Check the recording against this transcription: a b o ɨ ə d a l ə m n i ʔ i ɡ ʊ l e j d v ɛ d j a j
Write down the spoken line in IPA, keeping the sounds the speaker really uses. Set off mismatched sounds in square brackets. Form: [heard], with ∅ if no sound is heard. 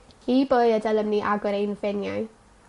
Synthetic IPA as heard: [i] b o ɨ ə d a l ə m n i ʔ [a] ɡ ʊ [ɾ] e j [n] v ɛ [n] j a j